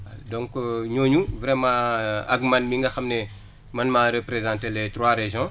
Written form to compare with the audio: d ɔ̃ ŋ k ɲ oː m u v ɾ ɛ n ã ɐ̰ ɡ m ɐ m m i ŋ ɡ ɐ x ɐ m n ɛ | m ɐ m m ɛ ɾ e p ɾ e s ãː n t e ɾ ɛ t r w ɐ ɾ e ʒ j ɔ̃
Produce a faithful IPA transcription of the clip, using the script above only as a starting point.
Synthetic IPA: d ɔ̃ ŋ k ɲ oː ɲ u v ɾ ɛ m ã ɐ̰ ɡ m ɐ n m i ŋ ɡ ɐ x ɐ m n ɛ | m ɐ n m a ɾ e p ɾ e z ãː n t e l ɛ t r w a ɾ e ʒ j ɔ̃

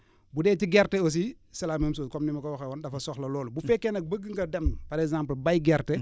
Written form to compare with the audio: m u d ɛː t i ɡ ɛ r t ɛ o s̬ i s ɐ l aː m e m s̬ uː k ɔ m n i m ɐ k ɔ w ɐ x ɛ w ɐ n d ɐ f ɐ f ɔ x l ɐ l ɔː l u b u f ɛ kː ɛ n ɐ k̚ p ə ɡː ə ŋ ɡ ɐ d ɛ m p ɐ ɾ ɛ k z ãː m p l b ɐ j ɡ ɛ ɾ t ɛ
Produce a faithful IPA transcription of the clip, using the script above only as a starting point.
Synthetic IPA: b u d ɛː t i ɡ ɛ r t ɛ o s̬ i s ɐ l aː m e m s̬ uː k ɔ m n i m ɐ k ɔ w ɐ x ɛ w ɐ n d ɐ f ɐ s ɔ x l ɐ l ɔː l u b u f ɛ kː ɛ n ɐ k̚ b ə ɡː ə ŋ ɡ ɐ d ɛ m p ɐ ɾ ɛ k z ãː m p l b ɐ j ɡ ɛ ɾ t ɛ

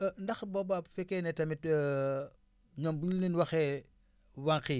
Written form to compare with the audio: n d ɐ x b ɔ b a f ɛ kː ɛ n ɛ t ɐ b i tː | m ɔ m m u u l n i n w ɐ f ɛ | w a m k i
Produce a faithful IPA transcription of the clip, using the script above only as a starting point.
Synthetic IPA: n d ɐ x b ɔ b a f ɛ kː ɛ n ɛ t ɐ m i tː | ɲ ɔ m b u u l n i n w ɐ x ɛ | w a ŋ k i

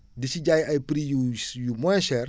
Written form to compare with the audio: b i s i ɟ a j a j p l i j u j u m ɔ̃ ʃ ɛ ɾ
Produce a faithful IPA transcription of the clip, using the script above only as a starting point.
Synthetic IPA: d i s i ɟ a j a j p ɾ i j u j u m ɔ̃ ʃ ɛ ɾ

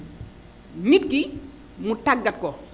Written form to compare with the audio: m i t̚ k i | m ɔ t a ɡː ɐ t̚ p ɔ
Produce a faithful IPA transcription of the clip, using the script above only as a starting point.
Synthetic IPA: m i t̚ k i | m u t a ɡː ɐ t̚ k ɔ

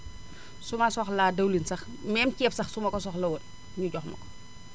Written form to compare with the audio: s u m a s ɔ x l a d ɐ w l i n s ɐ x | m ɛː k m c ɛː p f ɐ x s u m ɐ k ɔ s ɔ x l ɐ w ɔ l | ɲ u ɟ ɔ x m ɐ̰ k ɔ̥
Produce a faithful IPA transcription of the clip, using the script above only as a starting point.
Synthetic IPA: s u m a s ɔ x l a d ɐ w l i n s ɐ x | m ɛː m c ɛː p s ɐ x s u m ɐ k ɔ s ɔ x l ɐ w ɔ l | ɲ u ɟ ɔ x m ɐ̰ k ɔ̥

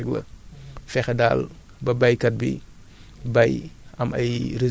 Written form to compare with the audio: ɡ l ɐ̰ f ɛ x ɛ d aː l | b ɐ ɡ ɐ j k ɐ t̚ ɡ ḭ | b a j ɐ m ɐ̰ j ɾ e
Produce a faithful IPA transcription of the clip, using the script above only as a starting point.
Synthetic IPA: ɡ l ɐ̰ f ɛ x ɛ d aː l | b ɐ b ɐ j k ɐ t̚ b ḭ | b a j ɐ m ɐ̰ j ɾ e

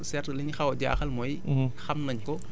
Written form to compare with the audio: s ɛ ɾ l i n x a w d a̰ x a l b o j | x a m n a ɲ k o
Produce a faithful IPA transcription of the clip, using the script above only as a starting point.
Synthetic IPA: s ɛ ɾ l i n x a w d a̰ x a l m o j | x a m n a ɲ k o

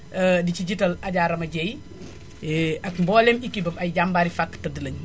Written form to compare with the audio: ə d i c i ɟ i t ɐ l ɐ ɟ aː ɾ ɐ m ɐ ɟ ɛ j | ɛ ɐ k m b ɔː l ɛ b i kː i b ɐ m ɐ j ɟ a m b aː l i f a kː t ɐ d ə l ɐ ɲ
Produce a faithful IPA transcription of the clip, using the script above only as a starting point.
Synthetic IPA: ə d i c i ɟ i t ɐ l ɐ ɟ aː ɾ ɐ m ɐ ɟ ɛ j | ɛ ɐ k m b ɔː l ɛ m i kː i b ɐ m ɐ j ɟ a m b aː ɾ i f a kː t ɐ d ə l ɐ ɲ

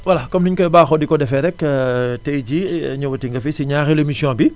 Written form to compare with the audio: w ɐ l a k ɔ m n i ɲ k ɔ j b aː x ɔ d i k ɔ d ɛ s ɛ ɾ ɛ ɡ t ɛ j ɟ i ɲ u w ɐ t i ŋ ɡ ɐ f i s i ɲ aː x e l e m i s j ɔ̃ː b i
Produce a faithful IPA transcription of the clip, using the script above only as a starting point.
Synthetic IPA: w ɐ l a k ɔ m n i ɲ k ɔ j b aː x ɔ d i k ɔ d ɛ f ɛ ɾ ɛ k t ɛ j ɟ i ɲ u w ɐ t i ŋ ɡ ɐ f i s i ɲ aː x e l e m i s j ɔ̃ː b i

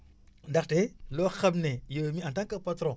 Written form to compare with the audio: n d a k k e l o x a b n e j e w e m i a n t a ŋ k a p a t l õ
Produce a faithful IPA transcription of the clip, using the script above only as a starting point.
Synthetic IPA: n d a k t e l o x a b n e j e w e m i a n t a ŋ k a p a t ɾ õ

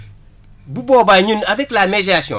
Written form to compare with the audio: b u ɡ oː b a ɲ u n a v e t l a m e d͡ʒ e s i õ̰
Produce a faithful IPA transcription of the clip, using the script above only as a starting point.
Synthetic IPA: b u b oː b a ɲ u n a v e k l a m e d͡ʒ a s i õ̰

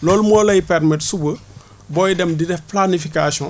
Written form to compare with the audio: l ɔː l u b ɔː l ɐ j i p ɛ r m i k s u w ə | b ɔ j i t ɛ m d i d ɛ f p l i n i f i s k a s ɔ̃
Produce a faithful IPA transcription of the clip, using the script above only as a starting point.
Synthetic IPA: l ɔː l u m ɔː l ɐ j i p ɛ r m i t s u b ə | b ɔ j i d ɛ m d i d ɛ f p l a n i f i k a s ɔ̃

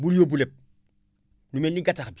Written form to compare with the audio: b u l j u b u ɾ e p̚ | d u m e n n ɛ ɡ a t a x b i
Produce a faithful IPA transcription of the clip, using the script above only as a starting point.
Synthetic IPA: b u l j o b u l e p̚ | n u m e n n i ɡ a t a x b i

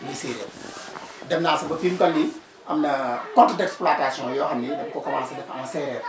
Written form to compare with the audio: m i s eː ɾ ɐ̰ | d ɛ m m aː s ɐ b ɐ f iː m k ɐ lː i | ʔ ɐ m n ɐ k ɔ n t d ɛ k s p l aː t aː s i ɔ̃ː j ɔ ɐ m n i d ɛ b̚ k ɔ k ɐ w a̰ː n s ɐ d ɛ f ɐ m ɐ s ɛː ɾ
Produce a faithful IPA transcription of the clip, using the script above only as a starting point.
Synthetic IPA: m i s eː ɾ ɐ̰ | d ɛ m n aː s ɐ b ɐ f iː m k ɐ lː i | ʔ ɐ m n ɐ k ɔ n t d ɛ k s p l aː t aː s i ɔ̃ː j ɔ ɐ m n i d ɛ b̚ k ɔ k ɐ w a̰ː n s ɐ d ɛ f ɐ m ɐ s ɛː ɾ

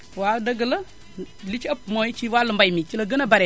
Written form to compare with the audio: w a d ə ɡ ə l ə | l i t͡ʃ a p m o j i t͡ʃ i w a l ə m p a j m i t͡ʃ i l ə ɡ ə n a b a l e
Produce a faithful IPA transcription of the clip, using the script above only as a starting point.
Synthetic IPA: w a d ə ɡ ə l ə | l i t͡ʃ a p m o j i t͡ʃ i w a l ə m b a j m i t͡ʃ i l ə ɡ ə n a b a ɾ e

